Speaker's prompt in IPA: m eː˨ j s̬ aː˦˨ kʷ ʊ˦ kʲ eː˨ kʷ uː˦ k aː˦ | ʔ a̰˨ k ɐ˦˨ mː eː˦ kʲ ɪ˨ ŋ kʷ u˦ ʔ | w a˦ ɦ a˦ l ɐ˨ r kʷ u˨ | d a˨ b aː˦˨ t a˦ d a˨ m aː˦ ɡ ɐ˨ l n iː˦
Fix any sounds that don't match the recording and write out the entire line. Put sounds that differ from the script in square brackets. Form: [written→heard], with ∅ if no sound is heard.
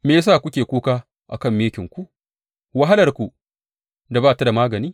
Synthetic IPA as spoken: m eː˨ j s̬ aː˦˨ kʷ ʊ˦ kʲ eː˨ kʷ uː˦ k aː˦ | ʔ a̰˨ k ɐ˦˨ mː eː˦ kʲ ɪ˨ ŋ kʷ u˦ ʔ | w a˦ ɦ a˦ l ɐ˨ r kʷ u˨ | d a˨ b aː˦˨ t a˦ d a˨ m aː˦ ɡ ɐ˨ [l→∅] n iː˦